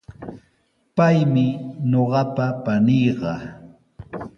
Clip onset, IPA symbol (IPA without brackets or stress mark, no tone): p